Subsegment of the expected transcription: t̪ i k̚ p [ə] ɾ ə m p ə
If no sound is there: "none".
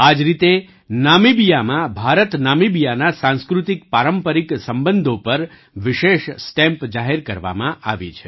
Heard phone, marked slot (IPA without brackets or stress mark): a